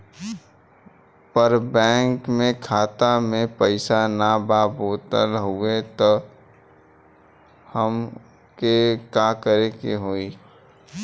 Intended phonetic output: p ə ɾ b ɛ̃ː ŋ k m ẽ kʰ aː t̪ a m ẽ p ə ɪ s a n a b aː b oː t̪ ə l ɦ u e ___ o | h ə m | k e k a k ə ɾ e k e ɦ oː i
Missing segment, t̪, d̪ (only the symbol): t̪